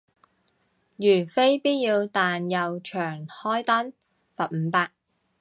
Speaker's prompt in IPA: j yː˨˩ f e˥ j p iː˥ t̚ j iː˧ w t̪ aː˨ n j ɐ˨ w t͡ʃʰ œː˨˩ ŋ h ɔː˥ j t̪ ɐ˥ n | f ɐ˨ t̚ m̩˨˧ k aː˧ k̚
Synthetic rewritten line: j yː˨˩ f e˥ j p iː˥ t̚ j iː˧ w t̪ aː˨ n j ɐ˨ w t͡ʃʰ œː˨˩ ŋ h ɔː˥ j t̪ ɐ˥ n | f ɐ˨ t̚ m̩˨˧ p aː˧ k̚